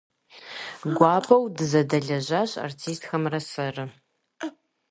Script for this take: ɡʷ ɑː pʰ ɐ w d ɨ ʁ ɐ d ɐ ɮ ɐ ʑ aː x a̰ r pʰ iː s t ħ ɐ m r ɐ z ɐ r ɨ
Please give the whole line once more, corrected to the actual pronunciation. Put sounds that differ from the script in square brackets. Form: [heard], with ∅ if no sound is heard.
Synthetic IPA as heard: ɡʷ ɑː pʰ ɐ w d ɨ [z] ɐ d ɐ ɮ ɐ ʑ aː [ɕ] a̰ r [tʰ] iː s t [x] ɐ m r ɐ [s] ɐ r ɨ